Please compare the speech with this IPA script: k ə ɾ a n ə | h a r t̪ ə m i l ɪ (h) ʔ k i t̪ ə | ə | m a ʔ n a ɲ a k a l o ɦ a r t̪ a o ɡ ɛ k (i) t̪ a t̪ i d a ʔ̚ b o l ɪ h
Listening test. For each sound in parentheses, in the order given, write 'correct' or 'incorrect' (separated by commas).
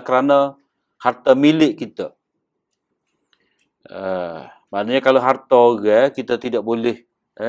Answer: incorrect, correct